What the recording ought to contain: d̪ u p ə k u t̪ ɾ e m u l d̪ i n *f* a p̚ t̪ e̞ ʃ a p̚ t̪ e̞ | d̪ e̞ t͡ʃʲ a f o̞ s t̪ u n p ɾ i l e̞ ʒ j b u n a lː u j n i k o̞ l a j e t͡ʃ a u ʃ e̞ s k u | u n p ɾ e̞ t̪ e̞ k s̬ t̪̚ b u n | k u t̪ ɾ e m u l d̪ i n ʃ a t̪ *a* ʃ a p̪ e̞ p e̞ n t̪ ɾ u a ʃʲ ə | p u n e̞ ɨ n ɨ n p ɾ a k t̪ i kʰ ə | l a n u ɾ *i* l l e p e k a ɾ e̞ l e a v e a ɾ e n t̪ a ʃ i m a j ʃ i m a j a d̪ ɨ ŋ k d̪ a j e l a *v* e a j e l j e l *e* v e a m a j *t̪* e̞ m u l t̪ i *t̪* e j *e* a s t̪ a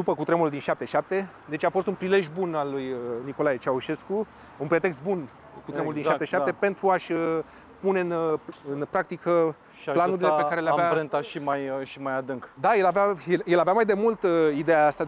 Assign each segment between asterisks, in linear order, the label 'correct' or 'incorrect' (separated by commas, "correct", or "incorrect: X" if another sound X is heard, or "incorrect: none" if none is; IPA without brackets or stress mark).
incorrect: ʃ, incorrect: e, correct, correct, incorrect: a, incorrect: d̪, incorrect: d̪, incorrect: a